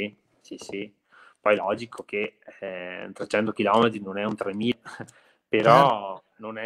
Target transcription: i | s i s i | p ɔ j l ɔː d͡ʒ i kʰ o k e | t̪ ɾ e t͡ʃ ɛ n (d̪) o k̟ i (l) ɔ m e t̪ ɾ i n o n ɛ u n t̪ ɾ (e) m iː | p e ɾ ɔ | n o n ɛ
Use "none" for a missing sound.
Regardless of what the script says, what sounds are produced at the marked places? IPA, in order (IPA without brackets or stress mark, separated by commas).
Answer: t̪, l, e